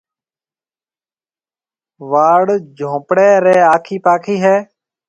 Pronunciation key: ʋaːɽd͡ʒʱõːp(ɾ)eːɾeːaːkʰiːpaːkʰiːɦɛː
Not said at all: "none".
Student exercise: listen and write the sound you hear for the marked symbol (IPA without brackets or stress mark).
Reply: ɽ